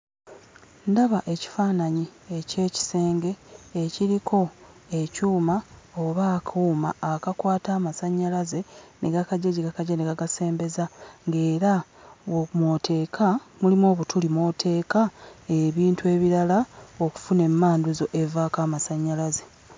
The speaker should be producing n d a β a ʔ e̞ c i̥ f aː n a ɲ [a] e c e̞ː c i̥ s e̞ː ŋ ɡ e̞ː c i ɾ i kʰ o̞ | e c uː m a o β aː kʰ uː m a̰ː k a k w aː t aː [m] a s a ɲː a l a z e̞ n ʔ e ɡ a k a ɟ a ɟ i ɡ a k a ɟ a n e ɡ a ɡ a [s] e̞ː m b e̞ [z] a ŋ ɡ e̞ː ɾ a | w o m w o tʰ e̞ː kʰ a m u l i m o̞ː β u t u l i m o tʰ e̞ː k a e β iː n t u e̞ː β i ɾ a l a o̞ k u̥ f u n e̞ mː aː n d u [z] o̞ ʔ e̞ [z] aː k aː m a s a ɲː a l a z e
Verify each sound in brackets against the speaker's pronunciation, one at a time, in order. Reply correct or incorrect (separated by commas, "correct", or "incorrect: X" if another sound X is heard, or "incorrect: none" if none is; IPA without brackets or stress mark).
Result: incorrect: i, correct, correct, correct, correct, incorrect: v